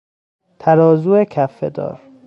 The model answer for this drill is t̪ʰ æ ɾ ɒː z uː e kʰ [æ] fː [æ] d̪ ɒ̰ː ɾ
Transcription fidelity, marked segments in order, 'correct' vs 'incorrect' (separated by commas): correct, incorrect